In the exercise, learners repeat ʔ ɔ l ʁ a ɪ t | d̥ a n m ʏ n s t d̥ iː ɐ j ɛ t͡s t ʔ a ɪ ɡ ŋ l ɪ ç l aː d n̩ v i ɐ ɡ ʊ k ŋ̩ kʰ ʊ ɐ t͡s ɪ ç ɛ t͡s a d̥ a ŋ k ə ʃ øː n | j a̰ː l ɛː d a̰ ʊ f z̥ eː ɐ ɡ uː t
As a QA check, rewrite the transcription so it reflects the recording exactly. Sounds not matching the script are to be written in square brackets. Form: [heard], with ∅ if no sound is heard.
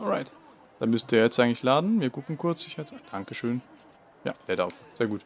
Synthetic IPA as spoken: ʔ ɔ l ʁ a ɪ t | d̥ a n m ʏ [∅] s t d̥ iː ɐ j ɛ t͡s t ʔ a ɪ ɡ ŋ l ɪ ç l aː d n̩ v [iː] ɐ ɡ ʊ k ŋ̩ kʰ ʊ ɐ t͡s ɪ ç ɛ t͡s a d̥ a ŋ k ə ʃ øː n | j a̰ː l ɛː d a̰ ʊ f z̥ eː ɐ ɡ uː t